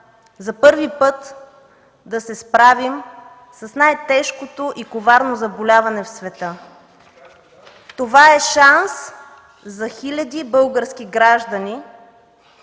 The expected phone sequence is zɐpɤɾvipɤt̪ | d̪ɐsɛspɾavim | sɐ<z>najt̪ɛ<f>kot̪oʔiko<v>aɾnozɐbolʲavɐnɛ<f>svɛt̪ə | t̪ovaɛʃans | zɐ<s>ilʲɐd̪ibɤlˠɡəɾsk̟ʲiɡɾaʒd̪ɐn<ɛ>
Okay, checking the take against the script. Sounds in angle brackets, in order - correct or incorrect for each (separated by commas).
incorrect, incorrect, correct, correct, incorrect, incorrect